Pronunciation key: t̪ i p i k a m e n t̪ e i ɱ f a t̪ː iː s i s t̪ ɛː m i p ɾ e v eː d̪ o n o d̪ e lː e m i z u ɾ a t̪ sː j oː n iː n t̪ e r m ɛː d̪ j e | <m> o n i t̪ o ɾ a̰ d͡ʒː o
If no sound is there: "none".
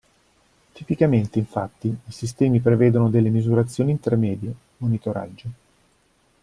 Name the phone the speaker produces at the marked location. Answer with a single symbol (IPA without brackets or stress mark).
m